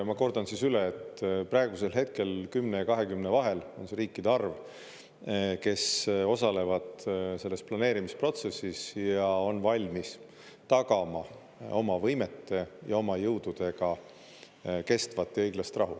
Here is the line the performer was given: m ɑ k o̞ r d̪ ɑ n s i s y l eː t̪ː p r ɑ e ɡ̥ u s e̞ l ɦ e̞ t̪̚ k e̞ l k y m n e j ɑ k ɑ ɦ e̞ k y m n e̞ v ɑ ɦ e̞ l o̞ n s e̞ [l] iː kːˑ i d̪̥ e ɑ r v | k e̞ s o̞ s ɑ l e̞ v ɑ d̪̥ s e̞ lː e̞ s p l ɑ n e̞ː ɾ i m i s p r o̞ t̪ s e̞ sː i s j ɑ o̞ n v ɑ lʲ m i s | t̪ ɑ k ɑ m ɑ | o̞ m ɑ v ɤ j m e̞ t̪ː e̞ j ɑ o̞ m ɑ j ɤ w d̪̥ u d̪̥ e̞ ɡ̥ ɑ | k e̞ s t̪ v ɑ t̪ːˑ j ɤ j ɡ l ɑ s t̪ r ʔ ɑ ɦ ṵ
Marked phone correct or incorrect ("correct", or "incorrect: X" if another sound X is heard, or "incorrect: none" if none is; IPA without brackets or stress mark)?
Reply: incorrect: ɾ